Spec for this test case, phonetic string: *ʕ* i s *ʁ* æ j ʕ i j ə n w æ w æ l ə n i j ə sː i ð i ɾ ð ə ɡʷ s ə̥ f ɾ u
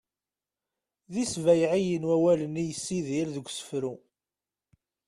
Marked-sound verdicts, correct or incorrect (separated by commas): incorrect, incorrect